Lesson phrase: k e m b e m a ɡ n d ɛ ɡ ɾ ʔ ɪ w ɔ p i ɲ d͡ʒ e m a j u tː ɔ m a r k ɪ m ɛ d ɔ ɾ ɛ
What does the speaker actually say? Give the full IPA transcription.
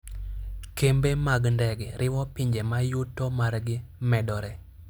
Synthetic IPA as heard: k e m b e m a ɡ n d ɛ ɡ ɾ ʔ ɪ w ɔ p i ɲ d͡ʒ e m a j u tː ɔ m a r ɡ ɪ m ɛ d ɔ ɾ ɛ